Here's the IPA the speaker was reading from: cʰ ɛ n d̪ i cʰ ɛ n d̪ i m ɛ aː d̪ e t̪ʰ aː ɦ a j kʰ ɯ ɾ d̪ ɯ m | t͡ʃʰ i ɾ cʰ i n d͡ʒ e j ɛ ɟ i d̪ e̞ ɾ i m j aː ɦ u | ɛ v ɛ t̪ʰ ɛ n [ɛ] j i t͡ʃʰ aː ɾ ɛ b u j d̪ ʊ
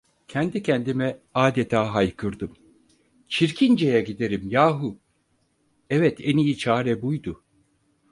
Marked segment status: incorrect: i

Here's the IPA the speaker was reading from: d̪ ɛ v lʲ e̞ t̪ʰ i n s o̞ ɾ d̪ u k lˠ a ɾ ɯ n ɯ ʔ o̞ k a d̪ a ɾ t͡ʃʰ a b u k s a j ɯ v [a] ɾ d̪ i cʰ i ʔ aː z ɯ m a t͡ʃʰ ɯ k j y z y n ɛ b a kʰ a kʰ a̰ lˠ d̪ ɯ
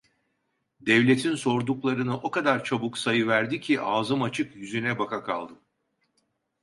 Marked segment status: incorrect: æ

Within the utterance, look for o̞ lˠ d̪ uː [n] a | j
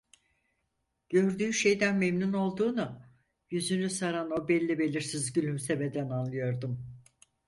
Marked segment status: correct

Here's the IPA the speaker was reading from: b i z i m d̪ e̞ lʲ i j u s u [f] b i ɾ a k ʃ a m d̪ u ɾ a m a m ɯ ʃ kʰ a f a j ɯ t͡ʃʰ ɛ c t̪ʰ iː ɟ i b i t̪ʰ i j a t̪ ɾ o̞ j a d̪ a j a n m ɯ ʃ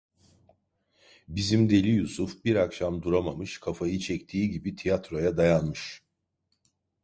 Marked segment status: correct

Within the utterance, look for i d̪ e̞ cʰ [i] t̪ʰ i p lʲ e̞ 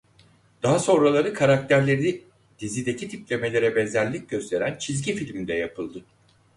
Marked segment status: correct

